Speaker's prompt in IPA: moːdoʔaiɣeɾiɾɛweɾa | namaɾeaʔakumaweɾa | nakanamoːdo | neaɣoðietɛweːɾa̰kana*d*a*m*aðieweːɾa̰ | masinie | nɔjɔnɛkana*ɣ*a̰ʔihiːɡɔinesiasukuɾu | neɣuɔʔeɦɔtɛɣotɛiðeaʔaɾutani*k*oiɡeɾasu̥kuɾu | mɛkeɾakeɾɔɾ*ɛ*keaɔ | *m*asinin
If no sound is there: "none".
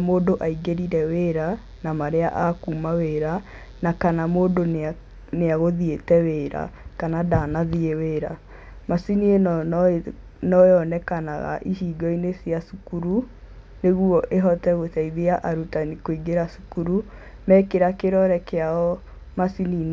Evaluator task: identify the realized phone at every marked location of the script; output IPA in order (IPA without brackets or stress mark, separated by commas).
d, n, ɣ, k, ɛ, m